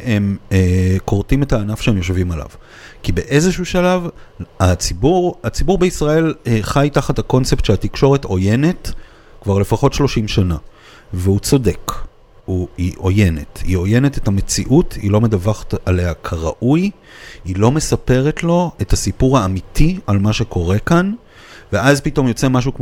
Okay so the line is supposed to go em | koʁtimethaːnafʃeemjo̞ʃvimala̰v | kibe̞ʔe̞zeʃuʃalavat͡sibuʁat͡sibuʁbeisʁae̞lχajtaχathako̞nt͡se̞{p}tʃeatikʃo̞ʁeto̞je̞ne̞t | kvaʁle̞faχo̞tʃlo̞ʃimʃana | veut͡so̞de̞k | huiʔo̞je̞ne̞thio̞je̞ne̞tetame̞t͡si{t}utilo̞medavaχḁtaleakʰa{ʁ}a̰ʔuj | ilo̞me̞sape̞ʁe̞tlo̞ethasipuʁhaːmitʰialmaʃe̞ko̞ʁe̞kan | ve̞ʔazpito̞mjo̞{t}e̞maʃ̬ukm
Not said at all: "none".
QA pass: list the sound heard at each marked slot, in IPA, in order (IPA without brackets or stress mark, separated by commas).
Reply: p, ʔ, ʁ, t͡s